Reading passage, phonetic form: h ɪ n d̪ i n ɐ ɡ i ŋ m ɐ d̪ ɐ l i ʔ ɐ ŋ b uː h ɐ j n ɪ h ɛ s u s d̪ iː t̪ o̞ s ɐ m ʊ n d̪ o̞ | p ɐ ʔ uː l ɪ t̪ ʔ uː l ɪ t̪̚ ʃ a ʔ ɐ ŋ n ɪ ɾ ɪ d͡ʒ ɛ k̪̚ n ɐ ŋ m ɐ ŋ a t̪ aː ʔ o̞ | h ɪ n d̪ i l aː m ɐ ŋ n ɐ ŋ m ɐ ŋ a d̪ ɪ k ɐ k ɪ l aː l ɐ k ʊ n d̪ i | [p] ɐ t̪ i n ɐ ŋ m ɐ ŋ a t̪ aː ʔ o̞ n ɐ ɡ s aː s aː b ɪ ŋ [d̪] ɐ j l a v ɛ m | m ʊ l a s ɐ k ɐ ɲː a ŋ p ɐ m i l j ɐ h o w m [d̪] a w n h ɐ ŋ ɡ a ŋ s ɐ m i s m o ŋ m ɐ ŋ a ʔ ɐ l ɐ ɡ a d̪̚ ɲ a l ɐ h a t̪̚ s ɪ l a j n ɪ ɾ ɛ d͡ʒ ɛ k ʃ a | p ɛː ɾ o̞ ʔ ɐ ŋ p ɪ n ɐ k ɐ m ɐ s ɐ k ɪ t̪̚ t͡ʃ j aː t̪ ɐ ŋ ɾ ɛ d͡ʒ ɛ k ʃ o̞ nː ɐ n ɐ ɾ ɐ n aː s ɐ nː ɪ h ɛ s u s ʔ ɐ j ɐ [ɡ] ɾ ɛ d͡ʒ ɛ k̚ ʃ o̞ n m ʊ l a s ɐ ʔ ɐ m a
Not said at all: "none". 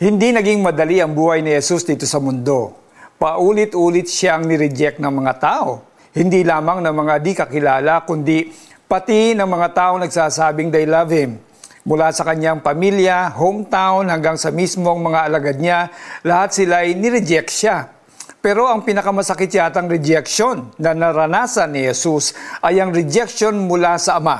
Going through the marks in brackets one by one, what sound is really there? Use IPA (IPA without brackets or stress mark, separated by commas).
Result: p, d̪, t̪, ŋ